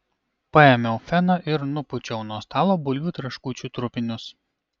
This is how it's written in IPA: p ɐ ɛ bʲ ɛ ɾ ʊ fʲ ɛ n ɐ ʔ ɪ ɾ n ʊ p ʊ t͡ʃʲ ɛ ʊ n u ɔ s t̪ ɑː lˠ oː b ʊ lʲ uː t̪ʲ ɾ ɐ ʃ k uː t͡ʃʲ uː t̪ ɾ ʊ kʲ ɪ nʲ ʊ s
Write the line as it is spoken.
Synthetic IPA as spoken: p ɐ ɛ mʲ ɛ ʊ fʲ ɛ n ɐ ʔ ɪ ɾ n ʊ p ʊ t͡ʃʲ ɛ ʊ n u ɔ s t̪ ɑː lˠ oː b ʊ lʲ uː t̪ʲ ɾ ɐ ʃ k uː t͡ʃʲ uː t̪ ɾ ʊ pʲ ɪ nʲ ʊ s

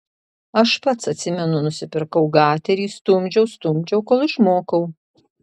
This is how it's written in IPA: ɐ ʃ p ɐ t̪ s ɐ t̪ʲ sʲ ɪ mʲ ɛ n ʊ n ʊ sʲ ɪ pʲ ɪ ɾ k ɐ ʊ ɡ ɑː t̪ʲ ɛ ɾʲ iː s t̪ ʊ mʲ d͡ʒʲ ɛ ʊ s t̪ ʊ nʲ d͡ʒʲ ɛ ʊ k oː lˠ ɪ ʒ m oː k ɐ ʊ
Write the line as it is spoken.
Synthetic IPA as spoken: ɐ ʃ p ɐ t̪ s ɐ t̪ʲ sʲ ɪ mʲ ɛ n ʊ n ʊ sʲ ɪ pʲ ɪ ɾ k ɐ ʊ ɡ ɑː t̪ʲ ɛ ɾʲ iː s t̪ ʊ mʲ d͡ʒʲ ɛ ʊ s t̪ ʊ mʲ d͡ʒʲ ɛ ʊ k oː lˠ ɪ ʃ m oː k ɐ ʊ

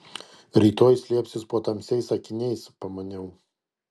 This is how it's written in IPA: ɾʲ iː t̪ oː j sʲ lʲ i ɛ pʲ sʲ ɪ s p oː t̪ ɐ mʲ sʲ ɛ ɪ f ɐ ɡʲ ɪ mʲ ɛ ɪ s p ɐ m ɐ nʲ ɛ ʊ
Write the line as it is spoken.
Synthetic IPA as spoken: ɾʲ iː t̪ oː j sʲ lʲ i ɛ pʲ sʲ ɪ s p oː t̪ ɐ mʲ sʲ ɛ ɪ s ɐ kʲ ɪ nʲ ɛ ɪ s p ɐ m ɐ nʲ ɛ ʊ

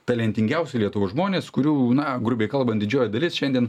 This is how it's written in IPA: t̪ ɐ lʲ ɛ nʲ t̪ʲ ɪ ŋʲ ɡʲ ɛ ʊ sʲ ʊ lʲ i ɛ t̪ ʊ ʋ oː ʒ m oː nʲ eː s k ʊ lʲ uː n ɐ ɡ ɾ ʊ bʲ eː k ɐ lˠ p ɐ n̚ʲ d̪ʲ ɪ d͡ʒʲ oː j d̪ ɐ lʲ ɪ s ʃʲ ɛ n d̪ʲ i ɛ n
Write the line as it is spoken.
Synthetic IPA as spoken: t̪ ɐ lʲ ɛ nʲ t̪ʲ ɪ ŋʲ ɡʲ ɛ ʊ sʲ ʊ lʲ i ɛ t̪ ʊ ʋ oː ʒ m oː nʲ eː s k ʊ ɾʲ uː n ɐ ɡ ɾ ʊ bʲ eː k ɐ lˠ b ɐ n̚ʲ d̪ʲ ɪ d͡ʒʲ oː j d̪ ɐ lʲ ɪ s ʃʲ ɛ n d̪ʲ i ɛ n

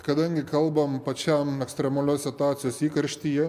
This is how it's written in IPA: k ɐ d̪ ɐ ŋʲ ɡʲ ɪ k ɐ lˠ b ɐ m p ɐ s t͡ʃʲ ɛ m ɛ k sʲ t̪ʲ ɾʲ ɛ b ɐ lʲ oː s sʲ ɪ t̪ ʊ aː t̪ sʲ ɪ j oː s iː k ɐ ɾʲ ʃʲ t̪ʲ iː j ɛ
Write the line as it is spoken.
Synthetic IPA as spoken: k ɐ d̪ ɐ ŋʲ ɡʲ ɪ k ɐ lˠ b ɐ m p ɐ t͡ʃʲ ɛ m ɛ k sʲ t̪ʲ ɾʲ ɛ m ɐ lʲ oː s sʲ ɪ t̪ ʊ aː t̪ sʲ ɪ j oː s iː k ɐ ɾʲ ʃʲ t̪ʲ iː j ɛ

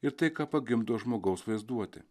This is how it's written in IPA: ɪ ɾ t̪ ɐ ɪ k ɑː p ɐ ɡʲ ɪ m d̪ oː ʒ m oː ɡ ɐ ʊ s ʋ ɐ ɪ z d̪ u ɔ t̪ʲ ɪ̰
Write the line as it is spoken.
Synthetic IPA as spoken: ɪ ɾ t̪ ɐ ɪ k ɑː p ɐ ɡʲ ɪ m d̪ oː ʒ m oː ɡ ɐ ʊ s ʋ ɐ ɪ z d̪ u ɔ t̪ʲ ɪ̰

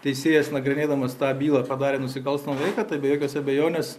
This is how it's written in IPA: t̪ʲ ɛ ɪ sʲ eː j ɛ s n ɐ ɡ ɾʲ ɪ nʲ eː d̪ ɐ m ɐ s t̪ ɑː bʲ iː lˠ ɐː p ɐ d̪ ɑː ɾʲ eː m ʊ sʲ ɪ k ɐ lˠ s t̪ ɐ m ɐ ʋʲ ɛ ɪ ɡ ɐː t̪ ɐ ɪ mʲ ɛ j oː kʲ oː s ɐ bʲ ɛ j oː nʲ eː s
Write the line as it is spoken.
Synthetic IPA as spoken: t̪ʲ ɛ ɪ sʲ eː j ɛ s n ɐ ɡ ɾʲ ɪ nʲ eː d̪ ɐ m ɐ s t̪ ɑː bʲ iː lˠ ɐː p ɐ d̪ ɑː ɾʲ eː n ʊ sʲ ɪ k ɐ lˠ s t̪ ɐ m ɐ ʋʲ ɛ ɪ k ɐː t̪ ɐ ɪ bʲ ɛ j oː kʲ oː s ɐ bʲ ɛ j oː nʲ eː s

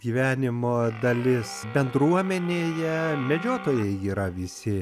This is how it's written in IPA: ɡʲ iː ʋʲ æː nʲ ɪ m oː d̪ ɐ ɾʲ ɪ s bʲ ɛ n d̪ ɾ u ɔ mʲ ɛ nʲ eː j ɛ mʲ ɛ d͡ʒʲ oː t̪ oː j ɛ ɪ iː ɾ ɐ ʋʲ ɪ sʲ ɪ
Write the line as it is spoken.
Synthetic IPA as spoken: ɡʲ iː ʋʲ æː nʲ ɪ m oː d̪ ɐ lʲ ɪ s bʲ ɛ n d̪ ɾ u ɔ mʲ ɛ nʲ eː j ɛ mʲ ɛ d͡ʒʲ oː t̪ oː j ɛ ɪ iː ɾ ɐ ʋʲ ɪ sʲ ɪ

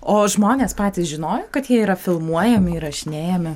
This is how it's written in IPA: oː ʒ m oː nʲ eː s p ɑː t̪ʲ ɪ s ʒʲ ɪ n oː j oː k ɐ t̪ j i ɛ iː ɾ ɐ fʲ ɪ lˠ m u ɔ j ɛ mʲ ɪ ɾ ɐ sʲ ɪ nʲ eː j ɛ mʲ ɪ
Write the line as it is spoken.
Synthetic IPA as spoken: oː ʒ m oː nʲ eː s p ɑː t̪ʲ ɪ s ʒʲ ɪ n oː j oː k ɐ t̪ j i ɛ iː ɾ ɐ fʲ ɪ lˠ m u ɔ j ɛ mʲ ɪ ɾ ɐ ʃʲ ɪ nʲ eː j ɛ mʲ ɪ

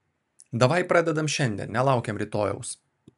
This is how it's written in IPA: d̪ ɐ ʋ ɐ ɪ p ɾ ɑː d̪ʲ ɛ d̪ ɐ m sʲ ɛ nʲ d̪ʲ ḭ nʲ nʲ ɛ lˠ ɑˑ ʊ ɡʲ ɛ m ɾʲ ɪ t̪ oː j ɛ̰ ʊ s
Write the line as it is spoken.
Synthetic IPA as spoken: d̪ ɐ ʋ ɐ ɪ p ɾ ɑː d̪ʲ ɛ d̪ ɐ m ʃʲ ɛ nʲ d̪ʲ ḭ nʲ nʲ ɛ lˠ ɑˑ ʊ kʲ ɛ m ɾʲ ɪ t̪ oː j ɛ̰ ʊ s

